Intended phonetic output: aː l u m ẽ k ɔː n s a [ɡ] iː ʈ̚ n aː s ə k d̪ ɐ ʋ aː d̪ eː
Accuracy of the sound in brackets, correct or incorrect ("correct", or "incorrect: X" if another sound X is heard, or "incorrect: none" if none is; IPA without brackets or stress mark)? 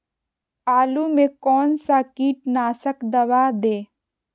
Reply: incorrect: k